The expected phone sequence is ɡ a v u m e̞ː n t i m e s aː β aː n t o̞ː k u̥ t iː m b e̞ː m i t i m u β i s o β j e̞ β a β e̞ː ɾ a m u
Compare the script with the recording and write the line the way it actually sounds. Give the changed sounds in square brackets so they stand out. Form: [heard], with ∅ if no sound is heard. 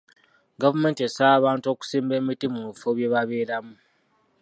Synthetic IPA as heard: ɡ a v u m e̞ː n t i [∅] e s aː β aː n t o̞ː k u̥ [s] iː m b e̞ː m i t i m u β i [f] o β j e̞ β a β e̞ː ɾ a m u